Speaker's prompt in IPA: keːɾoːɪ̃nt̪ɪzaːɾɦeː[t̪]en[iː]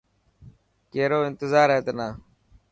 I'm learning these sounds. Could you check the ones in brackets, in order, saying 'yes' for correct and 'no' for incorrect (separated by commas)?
yes, no